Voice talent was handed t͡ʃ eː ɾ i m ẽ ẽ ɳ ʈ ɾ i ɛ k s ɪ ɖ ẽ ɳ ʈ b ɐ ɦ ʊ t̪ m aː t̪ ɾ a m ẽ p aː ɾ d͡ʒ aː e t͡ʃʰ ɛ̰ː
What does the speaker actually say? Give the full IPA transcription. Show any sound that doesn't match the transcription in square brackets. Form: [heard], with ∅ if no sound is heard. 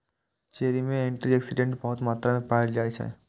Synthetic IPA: t͡ʃ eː ɾ i m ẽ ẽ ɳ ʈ ɾ i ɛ k s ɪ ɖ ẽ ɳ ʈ b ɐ ɦ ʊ t̪ m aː t̪ ɾ a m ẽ p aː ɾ d͡ʒ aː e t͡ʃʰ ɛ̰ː